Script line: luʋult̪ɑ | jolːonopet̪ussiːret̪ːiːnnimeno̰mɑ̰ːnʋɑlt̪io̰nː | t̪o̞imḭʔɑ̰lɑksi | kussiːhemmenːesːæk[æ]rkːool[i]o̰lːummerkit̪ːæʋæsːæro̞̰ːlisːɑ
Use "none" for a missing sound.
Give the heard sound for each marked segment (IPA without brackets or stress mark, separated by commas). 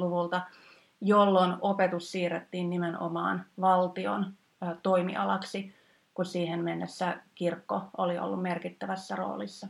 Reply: i, i